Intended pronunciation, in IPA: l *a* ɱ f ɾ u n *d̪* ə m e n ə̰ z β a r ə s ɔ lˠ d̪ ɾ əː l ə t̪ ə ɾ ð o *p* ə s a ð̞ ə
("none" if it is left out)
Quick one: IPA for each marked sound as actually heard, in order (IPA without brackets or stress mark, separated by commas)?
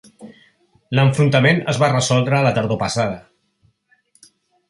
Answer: ə, t̪, p